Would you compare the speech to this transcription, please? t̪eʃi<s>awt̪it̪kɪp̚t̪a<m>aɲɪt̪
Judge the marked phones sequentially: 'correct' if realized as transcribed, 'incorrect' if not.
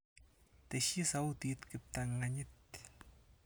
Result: correct, incorrect

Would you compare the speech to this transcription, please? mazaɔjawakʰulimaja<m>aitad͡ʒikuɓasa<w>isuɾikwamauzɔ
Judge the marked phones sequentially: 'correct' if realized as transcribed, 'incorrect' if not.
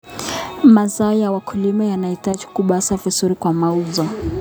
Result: incorrect, incorrect

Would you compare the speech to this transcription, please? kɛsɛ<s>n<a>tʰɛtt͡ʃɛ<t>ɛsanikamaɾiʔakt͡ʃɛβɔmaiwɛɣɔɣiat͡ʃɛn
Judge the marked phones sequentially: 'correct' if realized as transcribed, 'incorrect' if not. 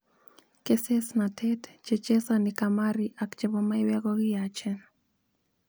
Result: correct, correct, incorrect

